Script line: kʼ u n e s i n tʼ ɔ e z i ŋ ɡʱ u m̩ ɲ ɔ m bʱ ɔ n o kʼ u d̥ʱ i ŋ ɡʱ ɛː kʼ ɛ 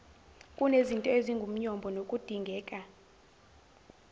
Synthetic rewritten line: kʼ u n e z i n tʼ ɔ e z i ŋ ɡʱ u m̩ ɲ ɔ m bʱ ɔ n o kʼ u d̥ʱ i ŋ ɡʱ ɛː kʼ a